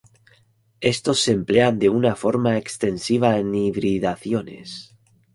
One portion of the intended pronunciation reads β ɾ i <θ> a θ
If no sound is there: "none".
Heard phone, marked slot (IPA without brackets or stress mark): ð